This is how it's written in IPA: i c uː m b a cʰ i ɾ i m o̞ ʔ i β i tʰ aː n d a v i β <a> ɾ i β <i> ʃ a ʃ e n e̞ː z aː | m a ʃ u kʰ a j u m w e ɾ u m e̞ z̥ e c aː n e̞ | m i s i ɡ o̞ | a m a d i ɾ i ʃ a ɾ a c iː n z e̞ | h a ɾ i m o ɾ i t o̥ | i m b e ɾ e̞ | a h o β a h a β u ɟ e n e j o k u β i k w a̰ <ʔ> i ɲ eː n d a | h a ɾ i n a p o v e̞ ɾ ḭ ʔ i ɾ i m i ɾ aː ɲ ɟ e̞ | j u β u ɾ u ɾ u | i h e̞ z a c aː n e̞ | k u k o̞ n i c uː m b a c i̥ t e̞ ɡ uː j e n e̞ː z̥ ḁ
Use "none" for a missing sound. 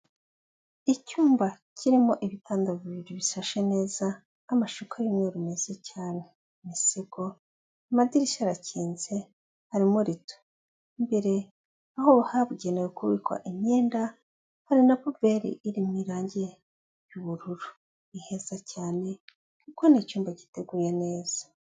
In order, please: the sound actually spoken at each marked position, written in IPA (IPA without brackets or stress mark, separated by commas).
i, i, ʔ